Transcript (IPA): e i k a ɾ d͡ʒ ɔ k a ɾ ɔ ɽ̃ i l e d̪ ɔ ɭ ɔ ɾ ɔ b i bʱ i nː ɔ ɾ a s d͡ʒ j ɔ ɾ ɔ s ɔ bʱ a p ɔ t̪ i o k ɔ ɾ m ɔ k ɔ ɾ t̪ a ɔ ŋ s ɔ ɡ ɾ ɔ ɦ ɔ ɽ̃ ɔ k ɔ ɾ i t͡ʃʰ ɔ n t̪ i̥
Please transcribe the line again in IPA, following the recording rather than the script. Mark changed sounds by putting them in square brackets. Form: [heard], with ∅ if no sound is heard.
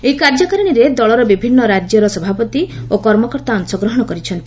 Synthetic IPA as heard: e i k a ɾ d͡ʒ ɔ k a ɾ ɔ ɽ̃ i [ɾ] e d̪ ɔ ɭ ɔ ɾ ɔ b i bʱ i nː ɔ ɾ a [∅] d͡ʒ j ɔ ɾ ɔ s ɔ bʱ a p ɔ t̪ i o k ɔ ɾ m ɔ k ɔ ɾ t̪ a ɔ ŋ s ɔ ɡ ɾ ɔ ɦ ɔ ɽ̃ ɔ k ɔ ɾ i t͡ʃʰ ɔ n t̪ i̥